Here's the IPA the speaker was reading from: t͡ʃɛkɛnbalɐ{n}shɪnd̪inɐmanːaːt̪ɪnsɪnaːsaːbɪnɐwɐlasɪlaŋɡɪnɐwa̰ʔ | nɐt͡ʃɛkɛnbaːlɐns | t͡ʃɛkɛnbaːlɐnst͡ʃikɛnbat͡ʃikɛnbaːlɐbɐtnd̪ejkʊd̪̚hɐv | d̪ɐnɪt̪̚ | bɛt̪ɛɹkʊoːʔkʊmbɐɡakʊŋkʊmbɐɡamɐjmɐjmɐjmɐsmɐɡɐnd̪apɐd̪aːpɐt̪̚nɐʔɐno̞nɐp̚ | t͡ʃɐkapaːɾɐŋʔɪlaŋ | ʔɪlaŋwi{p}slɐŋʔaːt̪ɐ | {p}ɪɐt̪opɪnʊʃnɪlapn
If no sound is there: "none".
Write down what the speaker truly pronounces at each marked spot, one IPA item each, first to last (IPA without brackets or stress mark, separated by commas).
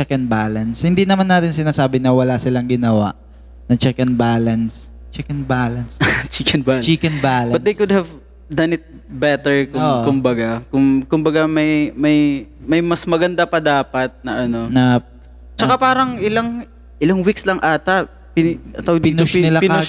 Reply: n, k, p